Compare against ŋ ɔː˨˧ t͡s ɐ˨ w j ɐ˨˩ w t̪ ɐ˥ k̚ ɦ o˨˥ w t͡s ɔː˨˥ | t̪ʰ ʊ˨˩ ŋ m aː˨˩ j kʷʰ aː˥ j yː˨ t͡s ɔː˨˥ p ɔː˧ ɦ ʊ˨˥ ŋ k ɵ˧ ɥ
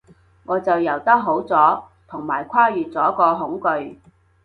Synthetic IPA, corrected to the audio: ŋ ɔː˨˧ t͡s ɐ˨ w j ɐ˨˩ w t̪ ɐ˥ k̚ ɦ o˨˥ w t͡s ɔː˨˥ | t̪ʰ ʊ˨˩ ŋ m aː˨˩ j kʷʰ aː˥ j yː˨ t͡s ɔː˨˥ k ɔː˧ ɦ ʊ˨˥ ŋ k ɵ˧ ɥ